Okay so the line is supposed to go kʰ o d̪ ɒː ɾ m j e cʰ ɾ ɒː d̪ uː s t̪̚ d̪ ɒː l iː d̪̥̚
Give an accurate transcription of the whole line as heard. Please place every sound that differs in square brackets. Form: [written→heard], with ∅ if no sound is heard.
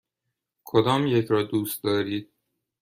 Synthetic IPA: kʰ o d̪ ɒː [ɾ→∅] m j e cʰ ɾ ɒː d̪ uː s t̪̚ d̪ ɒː [l→ɾ] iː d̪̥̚